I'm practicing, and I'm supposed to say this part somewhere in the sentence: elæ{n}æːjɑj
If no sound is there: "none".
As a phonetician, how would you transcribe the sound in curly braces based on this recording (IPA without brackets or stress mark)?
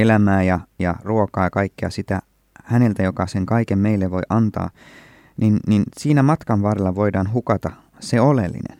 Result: m